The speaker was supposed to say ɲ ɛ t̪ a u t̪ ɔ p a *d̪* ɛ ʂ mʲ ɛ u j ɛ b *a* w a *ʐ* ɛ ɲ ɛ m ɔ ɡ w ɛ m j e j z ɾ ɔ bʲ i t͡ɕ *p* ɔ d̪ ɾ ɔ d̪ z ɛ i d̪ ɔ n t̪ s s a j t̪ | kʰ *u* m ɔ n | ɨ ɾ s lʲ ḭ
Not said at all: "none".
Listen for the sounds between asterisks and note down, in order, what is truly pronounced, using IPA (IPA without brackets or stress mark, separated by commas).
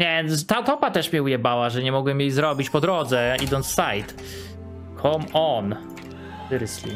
t̪, a, ʐ, p, ɔ